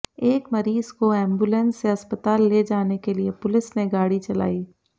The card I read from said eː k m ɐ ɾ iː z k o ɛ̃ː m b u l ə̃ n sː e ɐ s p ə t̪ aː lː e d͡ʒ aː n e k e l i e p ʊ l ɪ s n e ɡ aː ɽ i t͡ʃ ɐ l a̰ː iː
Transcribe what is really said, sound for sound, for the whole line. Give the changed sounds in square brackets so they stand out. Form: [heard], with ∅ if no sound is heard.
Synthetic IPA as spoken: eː k m ɐ ɾ iː z k o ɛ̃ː m b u l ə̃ n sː e ɐ s p ə t̪ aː lː e d͡ʒ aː n e k e l i e p ʊ l ɪ s n e ɡ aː ɽ i t͡ʃ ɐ l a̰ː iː